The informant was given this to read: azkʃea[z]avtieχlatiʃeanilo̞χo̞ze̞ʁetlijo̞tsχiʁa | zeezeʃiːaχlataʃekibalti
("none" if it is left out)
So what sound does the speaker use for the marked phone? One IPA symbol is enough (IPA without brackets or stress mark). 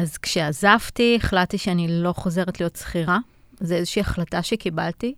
z